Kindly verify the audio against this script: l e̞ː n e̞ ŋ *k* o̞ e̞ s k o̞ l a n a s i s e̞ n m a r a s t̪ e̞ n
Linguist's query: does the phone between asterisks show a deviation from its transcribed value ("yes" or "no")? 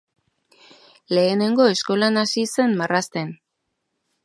yes